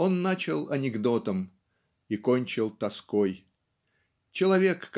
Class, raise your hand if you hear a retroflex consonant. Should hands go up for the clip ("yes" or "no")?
no